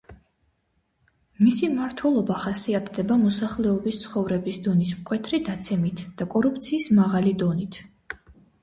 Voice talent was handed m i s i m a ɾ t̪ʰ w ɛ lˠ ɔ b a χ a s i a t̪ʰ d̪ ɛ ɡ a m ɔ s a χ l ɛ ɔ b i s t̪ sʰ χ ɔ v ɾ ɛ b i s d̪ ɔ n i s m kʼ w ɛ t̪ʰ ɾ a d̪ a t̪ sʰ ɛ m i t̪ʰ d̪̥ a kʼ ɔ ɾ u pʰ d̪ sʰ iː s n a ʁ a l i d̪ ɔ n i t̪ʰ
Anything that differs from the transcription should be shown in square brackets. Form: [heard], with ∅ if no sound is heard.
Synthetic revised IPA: m i s i m a ɾ t̪ʰ w ɛ lˠ ɔ b a χ a s i a t̪ʰ d̪ ɛ [b] a m ɔ s a χ l ɛ ɔ b i s t̪ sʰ χ ɔ v ɾ ɛ b i s d̪ ɔ n i s m kʼ w ɛ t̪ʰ ɾ [i] d̪ a t̪ sʰ ɛ m i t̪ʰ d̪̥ a kʼ ɔ ɾ u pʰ [t̪] sʰ iː s [m] a ʁ a l i d̪ ɔ n i t̪ʰ